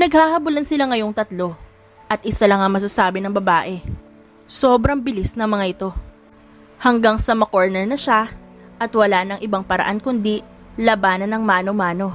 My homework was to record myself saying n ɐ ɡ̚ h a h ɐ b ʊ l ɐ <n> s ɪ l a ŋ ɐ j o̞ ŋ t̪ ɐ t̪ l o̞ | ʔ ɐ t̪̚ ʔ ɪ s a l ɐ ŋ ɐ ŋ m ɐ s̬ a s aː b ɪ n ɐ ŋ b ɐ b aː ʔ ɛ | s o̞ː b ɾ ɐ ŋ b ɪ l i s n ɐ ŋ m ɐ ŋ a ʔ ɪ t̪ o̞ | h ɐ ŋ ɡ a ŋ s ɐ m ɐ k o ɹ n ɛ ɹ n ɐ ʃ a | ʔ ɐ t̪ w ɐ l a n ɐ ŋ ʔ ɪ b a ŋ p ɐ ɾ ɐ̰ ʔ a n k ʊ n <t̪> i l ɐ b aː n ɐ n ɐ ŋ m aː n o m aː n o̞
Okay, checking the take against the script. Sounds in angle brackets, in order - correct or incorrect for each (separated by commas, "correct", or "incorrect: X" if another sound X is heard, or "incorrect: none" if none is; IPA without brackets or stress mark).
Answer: correct, incorrect: d̪